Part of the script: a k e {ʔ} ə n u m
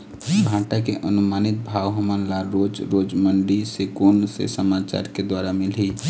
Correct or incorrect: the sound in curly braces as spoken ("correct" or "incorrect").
correct